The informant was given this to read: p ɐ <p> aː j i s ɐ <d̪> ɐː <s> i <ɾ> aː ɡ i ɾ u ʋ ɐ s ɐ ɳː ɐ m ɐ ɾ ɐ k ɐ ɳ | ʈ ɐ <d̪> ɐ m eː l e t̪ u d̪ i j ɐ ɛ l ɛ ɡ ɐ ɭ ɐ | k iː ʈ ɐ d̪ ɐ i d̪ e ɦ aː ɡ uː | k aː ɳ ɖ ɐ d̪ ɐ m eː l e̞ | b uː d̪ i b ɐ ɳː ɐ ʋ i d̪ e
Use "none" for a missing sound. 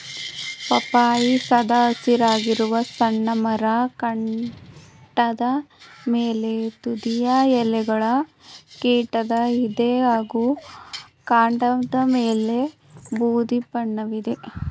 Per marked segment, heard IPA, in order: p, d̪, s, ɾ, d̪

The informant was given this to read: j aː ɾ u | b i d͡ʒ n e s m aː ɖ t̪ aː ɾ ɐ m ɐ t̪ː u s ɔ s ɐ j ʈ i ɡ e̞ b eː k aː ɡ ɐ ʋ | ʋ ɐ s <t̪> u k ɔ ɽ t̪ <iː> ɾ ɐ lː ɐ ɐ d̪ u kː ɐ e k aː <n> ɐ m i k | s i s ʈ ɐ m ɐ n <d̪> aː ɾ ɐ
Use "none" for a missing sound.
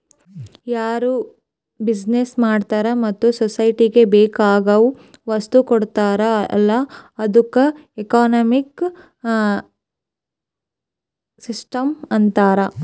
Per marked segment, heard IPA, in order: t̪, aː, n, t̪

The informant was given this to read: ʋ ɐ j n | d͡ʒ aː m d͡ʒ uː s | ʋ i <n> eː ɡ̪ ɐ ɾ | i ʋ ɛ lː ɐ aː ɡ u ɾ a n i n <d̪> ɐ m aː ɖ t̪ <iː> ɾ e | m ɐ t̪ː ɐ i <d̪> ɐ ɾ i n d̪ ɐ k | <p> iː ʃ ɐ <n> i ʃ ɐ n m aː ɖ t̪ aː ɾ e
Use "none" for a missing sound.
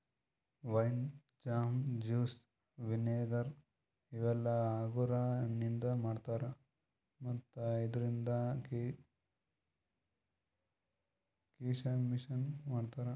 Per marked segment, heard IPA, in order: n, d̪, aː, d̪, k, m

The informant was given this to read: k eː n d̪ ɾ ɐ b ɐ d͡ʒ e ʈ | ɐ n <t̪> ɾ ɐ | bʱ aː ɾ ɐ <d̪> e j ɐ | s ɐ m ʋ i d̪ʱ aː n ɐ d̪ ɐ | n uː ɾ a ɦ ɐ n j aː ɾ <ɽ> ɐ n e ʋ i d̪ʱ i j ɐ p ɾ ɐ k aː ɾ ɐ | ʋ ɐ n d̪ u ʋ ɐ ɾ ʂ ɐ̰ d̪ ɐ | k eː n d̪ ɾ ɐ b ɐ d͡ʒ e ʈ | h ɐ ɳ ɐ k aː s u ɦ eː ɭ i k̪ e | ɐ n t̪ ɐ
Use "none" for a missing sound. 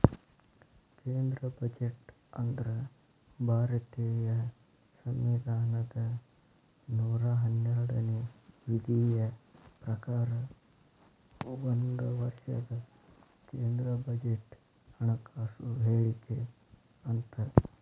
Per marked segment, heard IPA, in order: d̪, t̪, ɽ

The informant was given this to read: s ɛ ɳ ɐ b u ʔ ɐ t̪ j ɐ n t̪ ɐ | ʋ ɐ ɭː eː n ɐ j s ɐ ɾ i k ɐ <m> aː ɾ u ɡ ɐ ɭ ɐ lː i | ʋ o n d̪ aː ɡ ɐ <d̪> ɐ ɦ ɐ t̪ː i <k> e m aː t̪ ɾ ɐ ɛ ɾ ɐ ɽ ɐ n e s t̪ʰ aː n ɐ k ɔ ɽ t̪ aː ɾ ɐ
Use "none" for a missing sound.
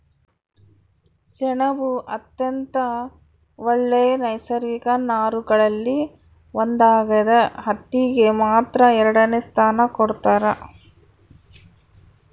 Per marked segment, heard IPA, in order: n, d̪, ɡ

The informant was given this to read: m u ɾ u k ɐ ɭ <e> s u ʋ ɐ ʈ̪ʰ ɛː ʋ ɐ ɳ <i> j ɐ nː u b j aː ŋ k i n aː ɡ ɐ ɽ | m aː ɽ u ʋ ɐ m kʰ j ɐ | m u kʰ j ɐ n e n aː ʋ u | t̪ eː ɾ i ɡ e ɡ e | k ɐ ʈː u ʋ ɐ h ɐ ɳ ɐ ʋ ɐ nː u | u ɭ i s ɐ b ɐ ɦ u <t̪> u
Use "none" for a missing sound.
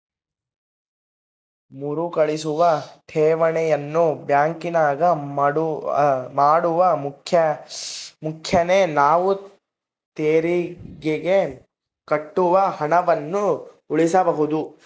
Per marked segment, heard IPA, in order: i, ɛ, d̪

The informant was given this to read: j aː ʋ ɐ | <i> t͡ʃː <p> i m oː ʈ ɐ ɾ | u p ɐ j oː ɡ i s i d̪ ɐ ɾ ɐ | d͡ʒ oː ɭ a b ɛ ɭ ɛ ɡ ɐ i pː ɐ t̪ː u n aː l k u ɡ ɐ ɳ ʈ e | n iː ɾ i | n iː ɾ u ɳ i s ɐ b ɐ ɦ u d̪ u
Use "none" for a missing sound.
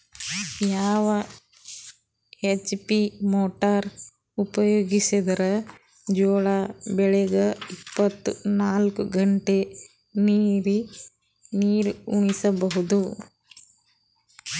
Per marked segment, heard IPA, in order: e, p

